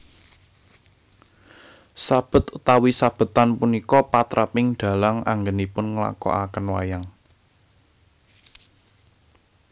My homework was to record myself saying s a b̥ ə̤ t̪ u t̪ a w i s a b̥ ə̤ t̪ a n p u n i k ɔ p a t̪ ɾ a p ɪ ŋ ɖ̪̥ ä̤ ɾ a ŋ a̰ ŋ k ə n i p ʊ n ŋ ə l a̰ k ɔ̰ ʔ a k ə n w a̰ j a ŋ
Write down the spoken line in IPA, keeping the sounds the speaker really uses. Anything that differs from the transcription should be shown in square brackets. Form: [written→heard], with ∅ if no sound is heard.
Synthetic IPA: s a b̥ ə̤ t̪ u t̪ a w i s a b̥ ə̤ t̪ a n p u n i k ɔ p a t̪ ɾ a p ɪ ŋ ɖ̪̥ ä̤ [ɾ→l] a ŋ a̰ ŋ [k→ɡ] ə n i p ʊ n ŋ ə l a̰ k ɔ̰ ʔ a k ə n w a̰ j a ŋ